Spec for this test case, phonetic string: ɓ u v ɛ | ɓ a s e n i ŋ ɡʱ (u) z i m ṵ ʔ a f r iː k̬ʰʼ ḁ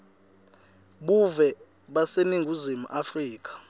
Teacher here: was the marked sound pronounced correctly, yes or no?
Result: yes